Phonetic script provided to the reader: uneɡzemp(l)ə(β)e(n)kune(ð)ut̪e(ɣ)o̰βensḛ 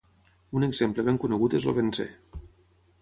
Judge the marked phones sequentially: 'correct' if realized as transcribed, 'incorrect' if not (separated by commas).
correct, correct, incorrect, incorrect, incorrect